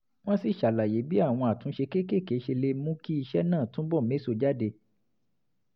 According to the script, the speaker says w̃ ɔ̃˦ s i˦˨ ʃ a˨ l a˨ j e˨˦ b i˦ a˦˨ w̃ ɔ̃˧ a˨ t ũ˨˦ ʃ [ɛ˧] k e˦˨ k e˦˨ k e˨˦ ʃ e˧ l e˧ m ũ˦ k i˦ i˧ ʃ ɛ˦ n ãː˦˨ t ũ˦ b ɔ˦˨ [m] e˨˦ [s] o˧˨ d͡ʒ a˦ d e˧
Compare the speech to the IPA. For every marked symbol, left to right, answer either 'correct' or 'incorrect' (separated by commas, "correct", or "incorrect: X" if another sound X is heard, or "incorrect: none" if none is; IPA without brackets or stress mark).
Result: incorrect: e˧, correct, correct